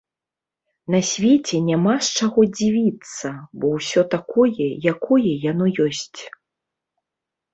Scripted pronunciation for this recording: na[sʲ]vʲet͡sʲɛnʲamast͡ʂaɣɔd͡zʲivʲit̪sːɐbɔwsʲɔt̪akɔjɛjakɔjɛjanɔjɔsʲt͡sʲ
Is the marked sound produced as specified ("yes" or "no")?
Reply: yes